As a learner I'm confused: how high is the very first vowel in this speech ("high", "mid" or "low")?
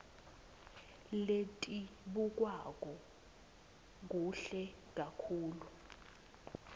mid